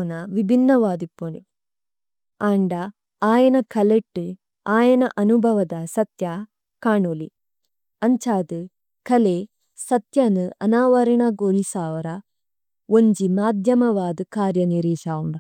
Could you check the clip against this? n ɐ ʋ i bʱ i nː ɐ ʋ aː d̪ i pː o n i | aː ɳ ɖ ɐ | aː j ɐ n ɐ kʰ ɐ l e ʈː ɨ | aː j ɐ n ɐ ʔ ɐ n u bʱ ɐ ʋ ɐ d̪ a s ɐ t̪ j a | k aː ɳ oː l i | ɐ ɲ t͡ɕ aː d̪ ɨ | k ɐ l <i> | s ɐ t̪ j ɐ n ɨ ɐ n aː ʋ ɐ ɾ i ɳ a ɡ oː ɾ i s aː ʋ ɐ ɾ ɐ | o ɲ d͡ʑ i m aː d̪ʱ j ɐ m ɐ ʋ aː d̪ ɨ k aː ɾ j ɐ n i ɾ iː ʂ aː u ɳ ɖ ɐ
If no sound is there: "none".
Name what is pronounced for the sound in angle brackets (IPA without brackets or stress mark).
e